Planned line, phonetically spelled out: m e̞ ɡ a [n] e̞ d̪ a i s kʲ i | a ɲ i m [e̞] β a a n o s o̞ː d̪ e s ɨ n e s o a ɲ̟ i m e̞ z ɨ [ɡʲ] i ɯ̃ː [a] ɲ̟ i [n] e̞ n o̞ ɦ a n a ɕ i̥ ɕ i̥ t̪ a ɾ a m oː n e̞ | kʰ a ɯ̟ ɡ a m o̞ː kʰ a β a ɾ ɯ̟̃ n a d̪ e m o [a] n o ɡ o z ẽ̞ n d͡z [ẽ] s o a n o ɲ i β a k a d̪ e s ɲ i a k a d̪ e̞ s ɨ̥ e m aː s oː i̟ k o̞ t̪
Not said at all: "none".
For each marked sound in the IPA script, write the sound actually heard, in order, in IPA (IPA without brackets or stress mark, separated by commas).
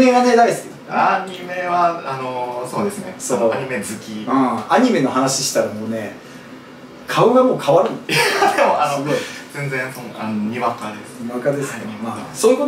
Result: n, e̞, kʲ, a, m, a, ẽ